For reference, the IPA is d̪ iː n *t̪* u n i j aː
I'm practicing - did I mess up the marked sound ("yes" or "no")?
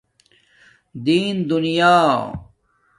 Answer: yes